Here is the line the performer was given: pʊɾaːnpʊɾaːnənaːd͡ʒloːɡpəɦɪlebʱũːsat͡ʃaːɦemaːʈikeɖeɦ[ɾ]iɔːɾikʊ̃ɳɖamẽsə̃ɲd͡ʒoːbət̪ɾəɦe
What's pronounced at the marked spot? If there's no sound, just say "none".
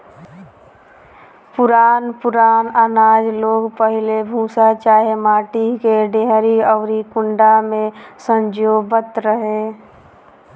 ɾ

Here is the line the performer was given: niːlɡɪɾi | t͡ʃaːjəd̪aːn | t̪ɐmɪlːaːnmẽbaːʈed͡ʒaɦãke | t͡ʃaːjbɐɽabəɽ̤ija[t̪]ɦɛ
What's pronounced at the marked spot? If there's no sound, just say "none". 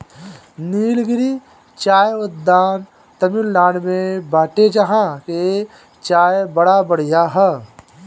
none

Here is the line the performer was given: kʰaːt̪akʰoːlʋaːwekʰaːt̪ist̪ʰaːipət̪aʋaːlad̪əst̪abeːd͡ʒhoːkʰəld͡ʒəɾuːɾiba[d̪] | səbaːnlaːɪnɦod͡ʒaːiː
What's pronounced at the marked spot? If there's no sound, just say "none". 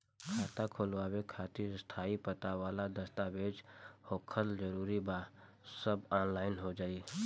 none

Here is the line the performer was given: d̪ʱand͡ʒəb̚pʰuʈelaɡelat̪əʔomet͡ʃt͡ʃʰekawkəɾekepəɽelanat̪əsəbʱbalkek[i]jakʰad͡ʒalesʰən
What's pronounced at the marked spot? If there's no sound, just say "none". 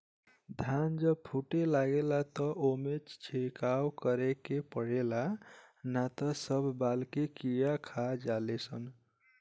i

